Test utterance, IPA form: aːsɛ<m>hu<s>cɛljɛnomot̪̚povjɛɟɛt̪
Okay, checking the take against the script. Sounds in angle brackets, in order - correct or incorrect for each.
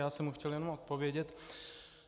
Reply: correct, incorrect: x

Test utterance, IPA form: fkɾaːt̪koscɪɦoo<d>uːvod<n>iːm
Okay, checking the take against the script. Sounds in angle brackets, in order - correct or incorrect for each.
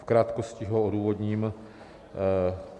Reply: correct, incorrect: ɲ

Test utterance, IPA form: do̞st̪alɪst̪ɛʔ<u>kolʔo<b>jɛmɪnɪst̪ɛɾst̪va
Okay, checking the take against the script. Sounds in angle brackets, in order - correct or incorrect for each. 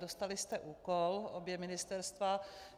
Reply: incorrect: uː, correct

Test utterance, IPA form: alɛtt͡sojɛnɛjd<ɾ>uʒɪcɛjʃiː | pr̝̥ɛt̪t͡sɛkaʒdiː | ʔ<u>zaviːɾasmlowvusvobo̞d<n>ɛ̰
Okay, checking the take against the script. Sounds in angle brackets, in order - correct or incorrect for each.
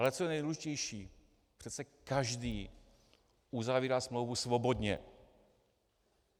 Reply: incorrect: l, correct, incorrect: ɲ

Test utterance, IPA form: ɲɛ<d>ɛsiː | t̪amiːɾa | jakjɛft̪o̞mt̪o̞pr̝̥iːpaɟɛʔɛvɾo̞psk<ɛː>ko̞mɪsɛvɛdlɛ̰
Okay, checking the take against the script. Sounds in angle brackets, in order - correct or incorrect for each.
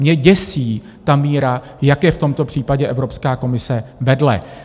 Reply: incorrect: ɟ, incorrect: aː

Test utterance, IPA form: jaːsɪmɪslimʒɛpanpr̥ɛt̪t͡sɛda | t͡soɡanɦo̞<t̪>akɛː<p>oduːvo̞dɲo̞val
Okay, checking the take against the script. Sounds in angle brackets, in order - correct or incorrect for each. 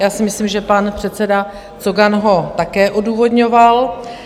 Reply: correct, incorrect: ʔ

